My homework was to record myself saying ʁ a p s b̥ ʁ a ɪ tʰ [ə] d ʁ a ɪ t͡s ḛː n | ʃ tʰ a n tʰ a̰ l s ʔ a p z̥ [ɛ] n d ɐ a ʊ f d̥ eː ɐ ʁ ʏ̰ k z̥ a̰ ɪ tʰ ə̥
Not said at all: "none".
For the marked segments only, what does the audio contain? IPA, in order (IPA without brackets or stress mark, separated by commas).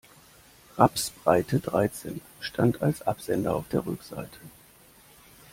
ə, ɛ